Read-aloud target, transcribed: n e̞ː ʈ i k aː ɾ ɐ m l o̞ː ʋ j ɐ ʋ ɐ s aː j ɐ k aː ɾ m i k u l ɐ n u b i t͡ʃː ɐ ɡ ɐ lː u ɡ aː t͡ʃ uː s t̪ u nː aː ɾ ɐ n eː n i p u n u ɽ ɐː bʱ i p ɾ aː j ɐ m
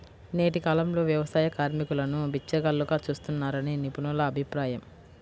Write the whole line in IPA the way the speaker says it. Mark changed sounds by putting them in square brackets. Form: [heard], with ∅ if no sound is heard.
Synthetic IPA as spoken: n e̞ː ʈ i k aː [l] ɐ m l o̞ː ʋ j ɐ ʋ ɐ s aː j ɐ k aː ɾ m i k u l ɐ n u b i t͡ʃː ɐ ɡ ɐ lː u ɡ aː t͡ʃ uː s t̪ u nː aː ɾ ɐ n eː n i p u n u [l] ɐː bʱ i p ɾ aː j ɐ m